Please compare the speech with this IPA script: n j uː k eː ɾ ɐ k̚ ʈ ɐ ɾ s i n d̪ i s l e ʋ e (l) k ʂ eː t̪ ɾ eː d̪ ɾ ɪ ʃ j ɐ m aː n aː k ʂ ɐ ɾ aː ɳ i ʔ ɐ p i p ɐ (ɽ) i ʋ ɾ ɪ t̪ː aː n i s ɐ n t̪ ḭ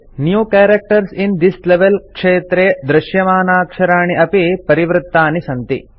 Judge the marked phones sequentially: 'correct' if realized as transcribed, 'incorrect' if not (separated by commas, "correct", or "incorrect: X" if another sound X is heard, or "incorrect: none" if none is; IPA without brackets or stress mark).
correct, incorrect: ɾ